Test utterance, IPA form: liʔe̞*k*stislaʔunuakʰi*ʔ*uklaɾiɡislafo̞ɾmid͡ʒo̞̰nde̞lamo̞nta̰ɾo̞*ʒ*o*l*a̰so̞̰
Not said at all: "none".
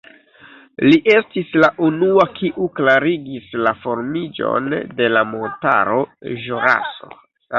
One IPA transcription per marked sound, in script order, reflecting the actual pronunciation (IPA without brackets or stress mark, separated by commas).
none, ʔ, ʒ, ɾ